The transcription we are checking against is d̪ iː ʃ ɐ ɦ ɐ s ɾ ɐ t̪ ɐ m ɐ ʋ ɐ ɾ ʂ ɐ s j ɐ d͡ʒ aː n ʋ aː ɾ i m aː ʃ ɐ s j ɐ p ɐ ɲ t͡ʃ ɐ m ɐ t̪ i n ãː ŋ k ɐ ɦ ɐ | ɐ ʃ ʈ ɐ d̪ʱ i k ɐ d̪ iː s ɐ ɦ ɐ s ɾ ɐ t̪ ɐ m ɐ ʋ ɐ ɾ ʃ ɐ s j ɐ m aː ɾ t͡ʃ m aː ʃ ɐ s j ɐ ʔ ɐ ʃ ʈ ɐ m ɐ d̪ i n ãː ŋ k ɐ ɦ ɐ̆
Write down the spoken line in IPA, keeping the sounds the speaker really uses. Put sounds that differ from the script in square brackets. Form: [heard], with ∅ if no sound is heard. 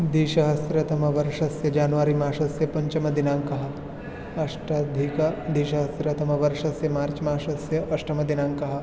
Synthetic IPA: d̪ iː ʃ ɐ ɦ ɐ s ɾ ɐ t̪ ɐ m ɐ ʋ ɐ ɾ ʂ ɐ s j ɐ d͡ʒ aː n ʋ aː ɾ i m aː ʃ ɐ s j ɐ p ɐ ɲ t͡ʃ ɐ m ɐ [d̪] i n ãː ŋ k ɐ ɦ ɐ | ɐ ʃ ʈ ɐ d̪ʱ i k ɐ d̪ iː [ʃ] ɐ ɦ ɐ s ɾ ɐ t̪ ɐ m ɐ ʋ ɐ ɾ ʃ ɐ s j ɐ m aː ɾ t͡ʃ m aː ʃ ɐ s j ɐ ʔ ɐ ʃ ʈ ɐ m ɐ d̪ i n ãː ŋ k ɐ ɦ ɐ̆